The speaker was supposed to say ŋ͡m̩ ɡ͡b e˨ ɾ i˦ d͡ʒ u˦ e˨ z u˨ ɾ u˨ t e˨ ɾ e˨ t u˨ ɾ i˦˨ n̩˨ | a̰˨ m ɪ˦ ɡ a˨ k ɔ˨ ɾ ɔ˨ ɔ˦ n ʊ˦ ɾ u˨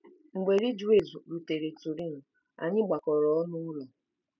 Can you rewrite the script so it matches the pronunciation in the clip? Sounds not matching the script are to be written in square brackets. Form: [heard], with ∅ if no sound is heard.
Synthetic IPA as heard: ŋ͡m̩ ɡ͡b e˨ ɾ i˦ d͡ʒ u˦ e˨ z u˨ ɾ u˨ t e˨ ɾ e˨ t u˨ ɾ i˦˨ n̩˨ | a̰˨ [ɲ] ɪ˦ [ɡ͡b] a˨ k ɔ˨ ɾ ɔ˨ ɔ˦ n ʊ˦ ɾ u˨